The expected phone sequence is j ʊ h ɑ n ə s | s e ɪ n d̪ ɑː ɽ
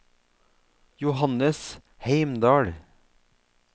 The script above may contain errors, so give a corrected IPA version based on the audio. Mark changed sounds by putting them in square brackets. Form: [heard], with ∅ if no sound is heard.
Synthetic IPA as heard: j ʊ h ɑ n ə s | [h] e ɪ [m] d̪ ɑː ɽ